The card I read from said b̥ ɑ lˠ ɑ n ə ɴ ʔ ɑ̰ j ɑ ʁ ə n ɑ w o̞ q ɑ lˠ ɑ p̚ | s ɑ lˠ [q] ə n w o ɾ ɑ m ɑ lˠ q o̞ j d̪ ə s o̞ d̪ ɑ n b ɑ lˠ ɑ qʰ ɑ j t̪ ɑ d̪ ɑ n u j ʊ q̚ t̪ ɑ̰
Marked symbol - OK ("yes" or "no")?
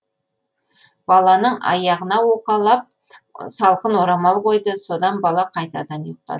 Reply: yes